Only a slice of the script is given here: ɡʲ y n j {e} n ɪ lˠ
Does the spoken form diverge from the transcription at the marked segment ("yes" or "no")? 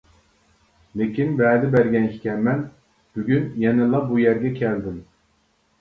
yes